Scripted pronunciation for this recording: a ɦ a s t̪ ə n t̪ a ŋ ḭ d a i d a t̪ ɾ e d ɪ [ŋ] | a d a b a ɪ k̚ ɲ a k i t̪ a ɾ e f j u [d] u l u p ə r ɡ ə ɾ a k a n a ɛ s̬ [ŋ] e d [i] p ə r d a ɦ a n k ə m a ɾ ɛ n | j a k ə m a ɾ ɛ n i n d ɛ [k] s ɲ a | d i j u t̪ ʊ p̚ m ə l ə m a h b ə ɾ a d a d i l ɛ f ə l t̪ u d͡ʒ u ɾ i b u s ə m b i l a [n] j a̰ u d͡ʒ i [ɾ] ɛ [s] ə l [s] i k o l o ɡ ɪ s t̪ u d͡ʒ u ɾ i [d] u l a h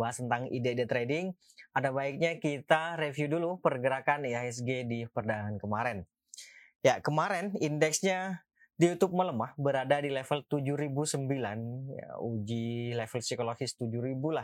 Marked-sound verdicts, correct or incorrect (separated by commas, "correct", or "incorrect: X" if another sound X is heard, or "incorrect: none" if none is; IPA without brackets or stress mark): correct, correct, incorrect: ɡ, correct, correct, correct, incorrect: l, incorrect: f, correct, incorrect: b